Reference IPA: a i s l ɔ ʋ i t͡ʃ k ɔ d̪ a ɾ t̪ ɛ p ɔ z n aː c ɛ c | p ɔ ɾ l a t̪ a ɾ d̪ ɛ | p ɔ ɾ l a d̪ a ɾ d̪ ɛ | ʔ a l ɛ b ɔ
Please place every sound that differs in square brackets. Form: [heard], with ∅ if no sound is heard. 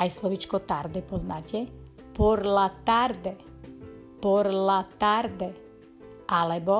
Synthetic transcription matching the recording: a [j] s l ɔ ʋ i t͡ʃ k ɔ [t̪] a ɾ [d̪] ɛ p ɔ z n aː c ɛ [∅] | p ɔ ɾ l a t̪ a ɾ d̪ ɛ | p ɔ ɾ l a [t̪] a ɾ d̪ ɛ | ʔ a l ɛ b ɔ